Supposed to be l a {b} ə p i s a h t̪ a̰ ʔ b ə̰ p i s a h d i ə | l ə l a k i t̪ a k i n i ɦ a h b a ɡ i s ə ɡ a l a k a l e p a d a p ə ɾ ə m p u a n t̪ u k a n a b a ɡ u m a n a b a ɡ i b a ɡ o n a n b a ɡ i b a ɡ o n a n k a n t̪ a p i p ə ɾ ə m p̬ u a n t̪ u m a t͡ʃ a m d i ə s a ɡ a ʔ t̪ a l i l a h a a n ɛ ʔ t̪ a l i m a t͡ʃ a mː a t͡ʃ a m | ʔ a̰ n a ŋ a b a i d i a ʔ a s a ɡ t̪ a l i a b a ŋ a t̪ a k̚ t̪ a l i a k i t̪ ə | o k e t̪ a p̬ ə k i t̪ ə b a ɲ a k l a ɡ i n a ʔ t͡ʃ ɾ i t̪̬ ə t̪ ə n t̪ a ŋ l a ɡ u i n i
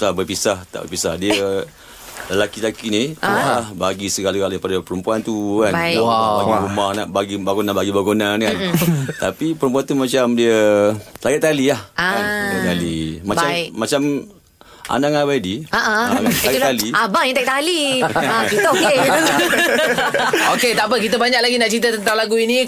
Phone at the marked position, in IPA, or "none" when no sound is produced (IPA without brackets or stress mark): b